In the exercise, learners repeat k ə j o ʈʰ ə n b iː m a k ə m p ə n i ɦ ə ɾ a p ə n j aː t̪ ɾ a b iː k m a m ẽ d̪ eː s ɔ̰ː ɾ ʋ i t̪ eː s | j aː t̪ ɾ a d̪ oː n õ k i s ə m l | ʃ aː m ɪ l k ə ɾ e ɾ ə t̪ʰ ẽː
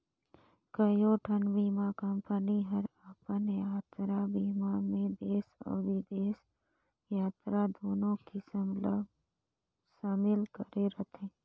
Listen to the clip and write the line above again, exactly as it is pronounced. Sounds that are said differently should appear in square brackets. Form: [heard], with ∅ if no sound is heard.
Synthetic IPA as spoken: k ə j o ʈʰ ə n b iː m a k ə m p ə n i ɦ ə ɾ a p ə n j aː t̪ ɾ a b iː [∅] m a m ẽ d̪ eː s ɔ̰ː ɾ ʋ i [d̪] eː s | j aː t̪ ɾ a d̪ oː n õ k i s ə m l | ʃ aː m ɪ l k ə ɾ e ɾ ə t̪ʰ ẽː